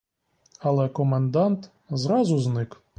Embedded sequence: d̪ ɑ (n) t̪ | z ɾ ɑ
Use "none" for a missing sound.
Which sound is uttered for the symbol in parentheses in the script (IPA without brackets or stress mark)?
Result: n